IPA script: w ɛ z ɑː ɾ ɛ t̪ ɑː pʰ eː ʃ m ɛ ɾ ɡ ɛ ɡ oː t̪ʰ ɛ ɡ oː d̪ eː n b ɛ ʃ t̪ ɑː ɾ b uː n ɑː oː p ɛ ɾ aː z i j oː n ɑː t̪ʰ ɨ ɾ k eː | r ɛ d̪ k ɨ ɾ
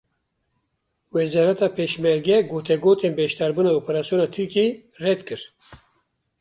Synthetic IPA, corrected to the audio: w ɛ z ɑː ɾ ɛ t̪ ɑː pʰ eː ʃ m ɛ ɾ ɡ ɛ ɡ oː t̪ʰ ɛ ɡ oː t̪ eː n b ɛ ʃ t̪ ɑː ɾ b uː n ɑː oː p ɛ ɾ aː s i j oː n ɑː t̪ʰ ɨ ɾ k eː | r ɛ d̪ k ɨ ɾ